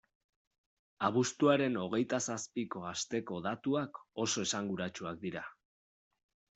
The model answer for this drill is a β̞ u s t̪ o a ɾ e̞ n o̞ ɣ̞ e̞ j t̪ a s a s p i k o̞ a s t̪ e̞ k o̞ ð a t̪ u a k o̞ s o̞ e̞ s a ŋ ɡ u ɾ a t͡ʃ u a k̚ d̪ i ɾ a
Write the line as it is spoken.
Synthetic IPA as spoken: a β̞ u s t̪ u a ɾ e̞ n o̞ ɣ̞ e̞ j t̪ a s a s p i k o̞ a s t̪ e̞ k o̞ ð a t̪ u a k o̞ s o̞ e̞ s a ŋ ɡ u ɾ a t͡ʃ u a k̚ d̪ i ɾ a